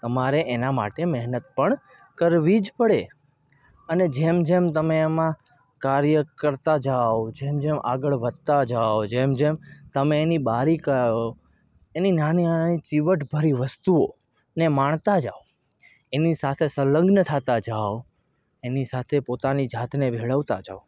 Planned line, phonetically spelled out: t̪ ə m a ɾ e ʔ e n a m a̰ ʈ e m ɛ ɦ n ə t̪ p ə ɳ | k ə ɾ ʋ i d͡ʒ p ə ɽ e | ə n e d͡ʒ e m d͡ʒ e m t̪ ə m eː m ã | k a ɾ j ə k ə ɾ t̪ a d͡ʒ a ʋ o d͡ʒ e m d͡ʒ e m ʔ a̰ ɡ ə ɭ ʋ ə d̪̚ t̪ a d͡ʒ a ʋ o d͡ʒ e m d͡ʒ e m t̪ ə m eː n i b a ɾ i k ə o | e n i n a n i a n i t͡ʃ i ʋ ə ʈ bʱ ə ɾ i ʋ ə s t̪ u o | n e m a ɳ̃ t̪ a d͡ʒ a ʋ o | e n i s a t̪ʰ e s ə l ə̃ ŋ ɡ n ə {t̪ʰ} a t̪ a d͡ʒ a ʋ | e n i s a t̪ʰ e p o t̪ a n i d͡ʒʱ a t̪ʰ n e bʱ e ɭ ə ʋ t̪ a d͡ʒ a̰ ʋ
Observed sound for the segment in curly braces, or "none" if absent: t̪ʰ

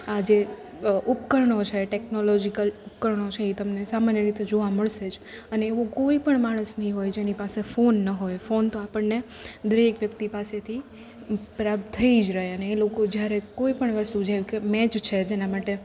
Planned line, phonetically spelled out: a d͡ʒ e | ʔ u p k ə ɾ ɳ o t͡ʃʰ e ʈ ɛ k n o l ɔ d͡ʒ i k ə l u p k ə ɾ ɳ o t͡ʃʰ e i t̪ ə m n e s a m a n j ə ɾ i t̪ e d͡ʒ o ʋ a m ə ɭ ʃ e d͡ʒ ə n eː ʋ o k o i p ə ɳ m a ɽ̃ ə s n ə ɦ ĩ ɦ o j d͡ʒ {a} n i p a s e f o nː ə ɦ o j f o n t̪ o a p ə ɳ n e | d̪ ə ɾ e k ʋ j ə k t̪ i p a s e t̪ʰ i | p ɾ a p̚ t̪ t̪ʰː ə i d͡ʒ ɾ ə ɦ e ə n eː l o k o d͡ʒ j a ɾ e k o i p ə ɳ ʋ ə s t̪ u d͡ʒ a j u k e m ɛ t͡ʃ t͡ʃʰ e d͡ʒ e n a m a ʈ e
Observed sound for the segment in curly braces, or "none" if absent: e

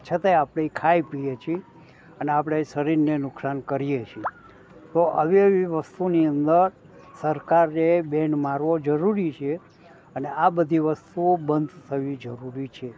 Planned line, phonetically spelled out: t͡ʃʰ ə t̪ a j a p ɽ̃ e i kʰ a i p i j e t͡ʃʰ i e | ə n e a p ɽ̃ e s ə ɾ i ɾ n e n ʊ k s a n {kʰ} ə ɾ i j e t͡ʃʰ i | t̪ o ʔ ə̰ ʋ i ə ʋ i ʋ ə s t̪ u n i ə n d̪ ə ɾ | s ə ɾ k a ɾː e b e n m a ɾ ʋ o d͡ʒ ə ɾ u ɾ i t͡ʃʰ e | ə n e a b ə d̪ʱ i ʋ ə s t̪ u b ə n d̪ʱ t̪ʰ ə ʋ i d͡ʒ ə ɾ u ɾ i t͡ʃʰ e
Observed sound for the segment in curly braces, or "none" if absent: k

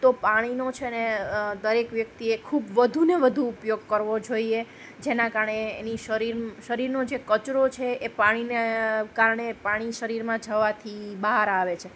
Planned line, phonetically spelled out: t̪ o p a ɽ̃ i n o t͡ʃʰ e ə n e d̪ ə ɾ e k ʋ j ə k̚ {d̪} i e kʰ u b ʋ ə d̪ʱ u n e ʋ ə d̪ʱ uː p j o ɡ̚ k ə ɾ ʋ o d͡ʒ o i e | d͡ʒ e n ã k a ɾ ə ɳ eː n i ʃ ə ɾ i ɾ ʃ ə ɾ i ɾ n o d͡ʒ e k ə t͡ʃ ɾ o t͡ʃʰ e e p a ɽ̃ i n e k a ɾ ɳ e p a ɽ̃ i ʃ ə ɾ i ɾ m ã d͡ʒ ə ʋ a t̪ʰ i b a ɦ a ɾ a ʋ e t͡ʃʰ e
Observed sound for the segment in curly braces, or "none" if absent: t̪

